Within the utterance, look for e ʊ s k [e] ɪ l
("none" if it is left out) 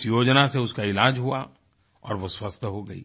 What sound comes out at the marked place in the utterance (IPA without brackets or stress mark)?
a